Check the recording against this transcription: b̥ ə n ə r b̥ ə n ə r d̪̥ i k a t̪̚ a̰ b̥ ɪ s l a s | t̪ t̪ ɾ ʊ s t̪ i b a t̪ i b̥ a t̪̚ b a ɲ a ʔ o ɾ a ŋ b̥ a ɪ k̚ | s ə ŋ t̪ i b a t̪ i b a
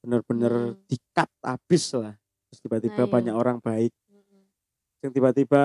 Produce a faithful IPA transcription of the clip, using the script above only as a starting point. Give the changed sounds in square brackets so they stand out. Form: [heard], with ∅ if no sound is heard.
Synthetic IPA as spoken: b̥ ə n ə r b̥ ə n ə r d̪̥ i k a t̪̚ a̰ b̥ ɪ s l a [h] | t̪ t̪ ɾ ʊ s t̪ i b a t̪ i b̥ a [∅] b a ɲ a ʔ o ɾ a ŋ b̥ a ɪ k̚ | s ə ŋ t̪ i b a t̪ i b a